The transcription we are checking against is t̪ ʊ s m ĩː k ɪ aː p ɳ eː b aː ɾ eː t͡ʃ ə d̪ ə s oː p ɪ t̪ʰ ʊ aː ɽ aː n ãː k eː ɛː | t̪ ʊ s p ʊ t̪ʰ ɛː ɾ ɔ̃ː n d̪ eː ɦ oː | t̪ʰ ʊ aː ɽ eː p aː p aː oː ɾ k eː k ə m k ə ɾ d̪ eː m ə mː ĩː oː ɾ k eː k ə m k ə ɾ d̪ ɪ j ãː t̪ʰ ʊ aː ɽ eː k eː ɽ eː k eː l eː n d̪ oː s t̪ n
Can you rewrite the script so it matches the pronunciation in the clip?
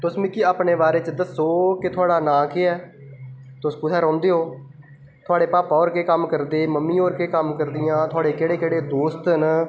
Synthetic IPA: t̪ ʊ s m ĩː k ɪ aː p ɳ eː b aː ɾ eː t͡ʃ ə d̪ ə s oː k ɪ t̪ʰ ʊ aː ɽ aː n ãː k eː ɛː | t̪ ʊ s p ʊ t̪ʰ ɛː ɾ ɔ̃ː n d̪ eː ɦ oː | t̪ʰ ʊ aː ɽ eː p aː p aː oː ɾ k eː k ə m k ə ɾ d̪ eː m ə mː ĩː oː ɾ k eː k ə m k ə ɾ d̪ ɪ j ãː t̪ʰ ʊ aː ɽ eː k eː ɽ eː k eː ɽ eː d̪ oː s t̪ n